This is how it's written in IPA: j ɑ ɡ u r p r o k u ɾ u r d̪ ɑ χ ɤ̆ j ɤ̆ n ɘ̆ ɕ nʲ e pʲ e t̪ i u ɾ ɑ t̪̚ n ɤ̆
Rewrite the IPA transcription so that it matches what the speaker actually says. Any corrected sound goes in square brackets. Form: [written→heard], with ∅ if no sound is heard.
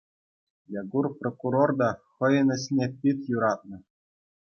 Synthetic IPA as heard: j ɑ ɡ u r p r o k u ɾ [u→o] r d̪ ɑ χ ɤ̆ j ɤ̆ n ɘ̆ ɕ nʲ e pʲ [e→i] t̪ [i→j] u ɾ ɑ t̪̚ n ɤ̆